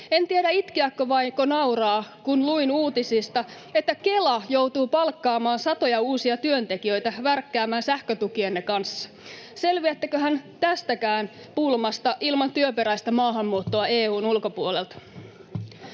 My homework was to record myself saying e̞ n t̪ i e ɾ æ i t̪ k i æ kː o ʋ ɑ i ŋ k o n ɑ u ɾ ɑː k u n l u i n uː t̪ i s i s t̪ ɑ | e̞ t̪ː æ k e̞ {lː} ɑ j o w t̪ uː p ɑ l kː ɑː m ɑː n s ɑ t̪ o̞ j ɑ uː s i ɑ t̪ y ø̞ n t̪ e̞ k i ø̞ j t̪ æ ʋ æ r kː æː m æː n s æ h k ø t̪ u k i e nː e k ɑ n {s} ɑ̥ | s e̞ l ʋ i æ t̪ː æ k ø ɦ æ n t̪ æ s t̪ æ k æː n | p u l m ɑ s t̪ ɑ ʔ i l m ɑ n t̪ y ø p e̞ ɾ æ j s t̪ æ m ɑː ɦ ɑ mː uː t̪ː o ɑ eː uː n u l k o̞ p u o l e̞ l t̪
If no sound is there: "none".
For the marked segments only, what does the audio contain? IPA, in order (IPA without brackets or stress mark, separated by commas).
l, sː